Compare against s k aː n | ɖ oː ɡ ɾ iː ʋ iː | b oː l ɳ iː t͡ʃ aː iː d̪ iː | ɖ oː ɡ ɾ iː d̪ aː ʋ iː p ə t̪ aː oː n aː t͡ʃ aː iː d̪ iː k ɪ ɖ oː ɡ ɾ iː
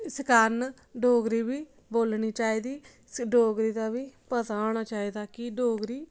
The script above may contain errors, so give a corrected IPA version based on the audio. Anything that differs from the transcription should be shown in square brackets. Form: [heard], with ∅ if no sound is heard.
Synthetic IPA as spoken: s k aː n | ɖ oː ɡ ɾ iː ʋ iː | b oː l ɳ iː t͡ʃ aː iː d̪ iː | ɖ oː ɡ ɾ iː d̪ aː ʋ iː p ə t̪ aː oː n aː t͡ʃ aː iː d̪ [aː] k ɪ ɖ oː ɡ ɾ iː